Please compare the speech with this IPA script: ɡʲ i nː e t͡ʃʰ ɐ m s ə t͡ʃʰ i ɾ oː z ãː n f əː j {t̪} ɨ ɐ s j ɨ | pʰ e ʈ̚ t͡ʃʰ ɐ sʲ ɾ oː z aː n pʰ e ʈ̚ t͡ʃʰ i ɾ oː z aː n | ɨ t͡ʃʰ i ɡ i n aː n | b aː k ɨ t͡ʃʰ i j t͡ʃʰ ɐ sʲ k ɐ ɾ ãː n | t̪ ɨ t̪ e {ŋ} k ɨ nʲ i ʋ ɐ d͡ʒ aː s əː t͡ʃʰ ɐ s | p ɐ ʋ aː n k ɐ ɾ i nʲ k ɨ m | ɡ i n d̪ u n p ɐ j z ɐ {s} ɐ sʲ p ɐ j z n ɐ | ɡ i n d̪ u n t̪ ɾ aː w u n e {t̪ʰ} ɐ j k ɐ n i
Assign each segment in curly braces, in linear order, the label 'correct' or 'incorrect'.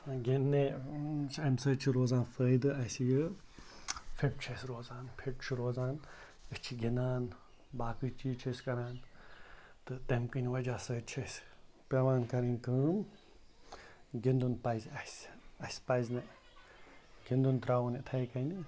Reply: incorrect: d̪, incorrect: m, correct, correct

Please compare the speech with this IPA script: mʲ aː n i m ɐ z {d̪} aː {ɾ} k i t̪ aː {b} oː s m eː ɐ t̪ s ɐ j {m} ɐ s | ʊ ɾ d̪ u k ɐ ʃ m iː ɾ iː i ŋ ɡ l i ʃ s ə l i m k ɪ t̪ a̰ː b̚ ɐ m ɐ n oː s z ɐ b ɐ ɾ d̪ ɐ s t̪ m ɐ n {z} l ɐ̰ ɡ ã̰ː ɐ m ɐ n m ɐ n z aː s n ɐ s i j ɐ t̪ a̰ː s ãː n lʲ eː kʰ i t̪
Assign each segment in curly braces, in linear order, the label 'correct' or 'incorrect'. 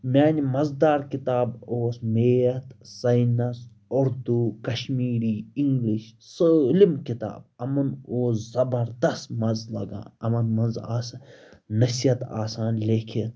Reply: correct, correct, correct, incorrect: n, correct

